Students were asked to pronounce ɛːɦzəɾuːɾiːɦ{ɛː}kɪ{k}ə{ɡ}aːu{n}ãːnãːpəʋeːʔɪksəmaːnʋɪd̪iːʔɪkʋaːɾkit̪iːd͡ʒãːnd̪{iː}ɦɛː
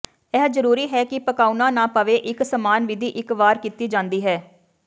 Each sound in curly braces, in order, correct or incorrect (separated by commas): correct, incorrect, incorrect, correct, correct